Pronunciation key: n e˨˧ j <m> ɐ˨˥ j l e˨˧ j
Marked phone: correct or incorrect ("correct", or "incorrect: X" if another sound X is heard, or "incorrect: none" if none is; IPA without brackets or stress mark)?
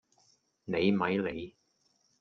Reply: correct